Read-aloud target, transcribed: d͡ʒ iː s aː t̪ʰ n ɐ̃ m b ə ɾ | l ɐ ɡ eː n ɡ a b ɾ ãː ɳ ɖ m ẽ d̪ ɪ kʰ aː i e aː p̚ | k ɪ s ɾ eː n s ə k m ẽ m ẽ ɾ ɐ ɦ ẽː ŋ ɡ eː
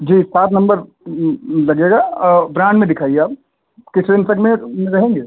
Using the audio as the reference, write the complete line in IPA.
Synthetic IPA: d͡ʒ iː s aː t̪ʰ n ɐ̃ m b ə ɾ | l ɐ ɡ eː ɡ a b ɾ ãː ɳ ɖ m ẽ d̪ ɪ kʰ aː i e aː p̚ | k ɪ s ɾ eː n s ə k m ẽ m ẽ ɾ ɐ ɦ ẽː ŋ ɡ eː